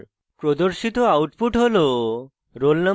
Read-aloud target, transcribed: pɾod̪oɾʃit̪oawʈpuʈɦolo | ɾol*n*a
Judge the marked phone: correct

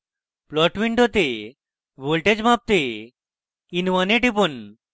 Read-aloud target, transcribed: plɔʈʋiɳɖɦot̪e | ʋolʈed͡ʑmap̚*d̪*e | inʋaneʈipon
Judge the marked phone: incorrect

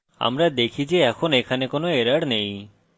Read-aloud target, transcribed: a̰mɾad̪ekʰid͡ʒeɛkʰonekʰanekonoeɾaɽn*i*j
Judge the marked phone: incorrect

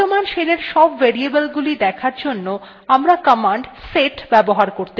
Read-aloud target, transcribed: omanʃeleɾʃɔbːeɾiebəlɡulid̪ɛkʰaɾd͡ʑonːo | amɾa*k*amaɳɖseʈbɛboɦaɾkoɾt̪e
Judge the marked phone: correct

